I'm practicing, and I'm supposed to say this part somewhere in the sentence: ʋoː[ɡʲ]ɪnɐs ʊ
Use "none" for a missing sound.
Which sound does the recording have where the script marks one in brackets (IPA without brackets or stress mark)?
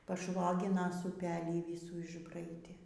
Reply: ɡʲ